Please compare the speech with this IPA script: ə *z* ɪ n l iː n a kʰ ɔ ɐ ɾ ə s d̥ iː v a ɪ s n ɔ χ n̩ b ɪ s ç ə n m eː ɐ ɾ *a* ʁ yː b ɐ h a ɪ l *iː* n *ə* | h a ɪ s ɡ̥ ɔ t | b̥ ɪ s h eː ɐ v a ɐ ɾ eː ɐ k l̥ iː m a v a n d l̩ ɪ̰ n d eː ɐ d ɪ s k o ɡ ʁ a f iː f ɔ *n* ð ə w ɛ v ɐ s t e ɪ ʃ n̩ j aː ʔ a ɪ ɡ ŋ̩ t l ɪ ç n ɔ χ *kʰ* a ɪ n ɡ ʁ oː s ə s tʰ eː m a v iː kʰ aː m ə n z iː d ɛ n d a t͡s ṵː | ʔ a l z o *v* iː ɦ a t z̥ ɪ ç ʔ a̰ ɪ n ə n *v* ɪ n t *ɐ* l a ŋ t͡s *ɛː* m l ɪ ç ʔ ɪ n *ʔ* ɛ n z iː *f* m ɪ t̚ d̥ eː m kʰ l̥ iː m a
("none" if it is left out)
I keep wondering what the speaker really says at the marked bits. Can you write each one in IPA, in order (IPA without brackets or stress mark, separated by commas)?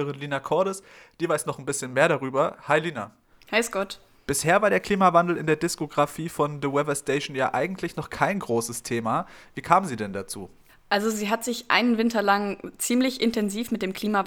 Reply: ʁ, a, iː, a, n, kʰ, z, v, ɐ, iː, t, f